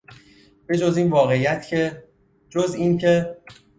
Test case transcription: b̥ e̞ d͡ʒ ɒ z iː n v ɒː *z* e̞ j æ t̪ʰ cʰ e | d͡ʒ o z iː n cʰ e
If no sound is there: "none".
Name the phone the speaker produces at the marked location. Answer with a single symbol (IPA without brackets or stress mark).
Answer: ɣ